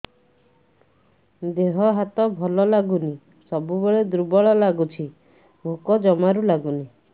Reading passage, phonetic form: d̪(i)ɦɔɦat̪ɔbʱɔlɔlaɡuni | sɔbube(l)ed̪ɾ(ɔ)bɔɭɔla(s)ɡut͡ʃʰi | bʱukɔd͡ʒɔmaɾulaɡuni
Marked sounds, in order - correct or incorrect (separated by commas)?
incorrect, incorrect, incorrect, incorrect